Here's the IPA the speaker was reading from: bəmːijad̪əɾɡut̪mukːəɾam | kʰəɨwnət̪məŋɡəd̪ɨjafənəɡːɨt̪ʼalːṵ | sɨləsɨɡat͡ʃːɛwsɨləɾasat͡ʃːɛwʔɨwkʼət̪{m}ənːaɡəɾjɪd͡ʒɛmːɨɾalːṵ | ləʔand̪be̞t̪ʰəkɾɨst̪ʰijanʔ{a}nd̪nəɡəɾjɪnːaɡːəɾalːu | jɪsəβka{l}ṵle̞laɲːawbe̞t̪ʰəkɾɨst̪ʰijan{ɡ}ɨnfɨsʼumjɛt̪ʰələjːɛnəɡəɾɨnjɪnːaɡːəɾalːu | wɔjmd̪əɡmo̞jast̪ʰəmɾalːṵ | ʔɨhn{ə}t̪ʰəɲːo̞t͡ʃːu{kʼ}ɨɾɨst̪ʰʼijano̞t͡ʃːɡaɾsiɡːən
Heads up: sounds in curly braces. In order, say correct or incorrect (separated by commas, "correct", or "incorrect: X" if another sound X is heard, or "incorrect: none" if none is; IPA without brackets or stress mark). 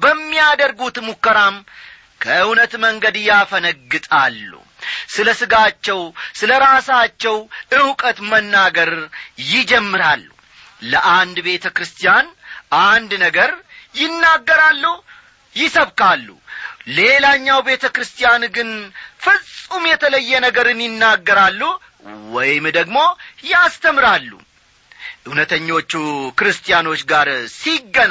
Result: correct, correct, incorrect: lː, correct, correct, incorrect: k